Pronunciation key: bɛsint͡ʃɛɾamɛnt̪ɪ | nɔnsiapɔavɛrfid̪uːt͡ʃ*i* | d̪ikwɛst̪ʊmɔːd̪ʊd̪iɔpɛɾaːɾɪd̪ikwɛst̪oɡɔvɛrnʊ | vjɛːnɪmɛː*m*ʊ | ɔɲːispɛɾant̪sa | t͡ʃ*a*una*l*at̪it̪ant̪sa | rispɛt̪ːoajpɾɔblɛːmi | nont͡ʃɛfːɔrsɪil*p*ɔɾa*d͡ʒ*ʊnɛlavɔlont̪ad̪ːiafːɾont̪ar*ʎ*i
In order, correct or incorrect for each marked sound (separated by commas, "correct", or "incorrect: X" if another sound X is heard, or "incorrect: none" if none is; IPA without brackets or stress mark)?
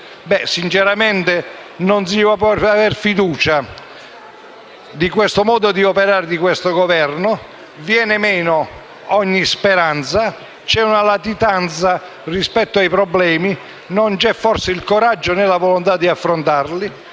incorrect: a, incorrect: n, incorrect: ɛ, correct, incorrect: k, incorrect: d͡ʒː, incorrect: l